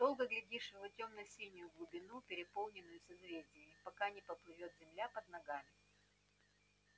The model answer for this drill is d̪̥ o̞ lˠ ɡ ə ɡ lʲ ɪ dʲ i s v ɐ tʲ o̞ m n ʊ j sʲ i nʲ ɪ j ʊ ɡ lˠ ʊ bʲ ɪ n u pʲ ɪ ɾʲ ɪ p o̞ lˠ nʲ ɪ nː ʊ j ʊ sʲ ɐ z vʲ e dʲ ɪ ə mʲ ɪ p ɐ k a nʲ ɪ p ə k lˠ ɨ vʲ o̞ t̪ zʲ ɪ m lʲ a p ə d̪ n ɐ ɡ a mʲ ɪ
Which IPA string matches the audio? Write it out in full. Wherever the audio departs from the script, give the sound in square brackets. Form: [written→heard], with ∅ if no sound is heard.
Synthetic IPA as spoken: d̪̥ o̞ lˠ ɡ ə ɡ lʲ ɪ dʲ i [s→ʂ] v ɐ tʲ o̞ m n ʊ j sʲ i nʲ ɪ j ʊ ɡ lˠ ʊ bʲ ɪ n u pʲ ɪ ɾʲ ɪ p o̞ lˠ nʲ ɪ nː ʊ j ʊ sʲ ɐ z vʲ e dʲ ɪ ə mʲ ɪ p ɐ k a nʲ ɪ p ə [k→p] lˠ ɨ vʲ o̞ t̪ zʲ ɪ m lʲ a p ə d̪ n ɐ ɡ a mʲ ɪ